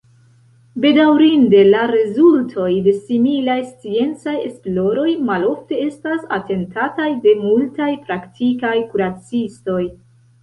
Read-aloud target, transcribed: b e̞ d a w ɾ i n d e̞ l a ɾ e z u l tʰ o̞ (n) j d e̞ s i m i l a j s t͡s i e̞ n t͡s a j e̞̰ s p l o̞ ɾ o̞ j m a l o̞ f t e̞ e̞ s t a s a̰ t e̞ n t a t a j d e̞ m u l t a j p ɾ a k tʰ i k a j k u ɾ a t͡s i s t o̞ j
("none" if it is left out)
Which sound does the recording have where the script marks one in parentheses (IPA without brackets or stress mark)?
none